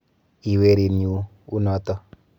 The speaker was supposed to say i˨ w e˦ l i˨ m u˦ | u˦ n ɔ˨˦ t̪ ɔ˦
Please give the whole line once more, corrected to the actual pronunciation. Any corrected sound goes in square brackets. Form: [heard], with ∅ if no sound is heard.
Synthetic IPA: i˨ w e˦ [ɾ] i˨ [n] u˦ | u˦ n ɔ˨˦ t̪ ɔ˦